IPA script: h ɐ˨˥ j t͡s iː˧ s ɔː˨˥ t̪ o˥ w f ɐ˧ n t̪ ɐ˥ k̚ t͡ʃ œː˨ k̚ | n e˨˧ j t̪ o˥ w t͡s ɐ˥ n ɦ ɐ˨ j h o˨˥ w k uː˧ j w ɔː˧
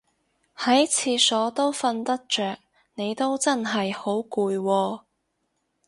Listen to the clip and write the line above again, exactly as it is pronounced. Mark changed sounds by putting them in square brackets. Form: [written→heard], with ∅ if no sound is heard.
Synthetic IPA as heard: h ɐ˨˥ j [t͡s→t͡sʰ] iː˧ s ɔː˨˥ t̪ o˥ w f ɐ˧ n t̪ ɐ˥ k̚ t͡ʃ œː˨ k̚ | n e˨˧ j t̪ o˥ w t͡s ɐ˥ n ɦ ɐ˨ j h o˨˥ w k uː˧ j w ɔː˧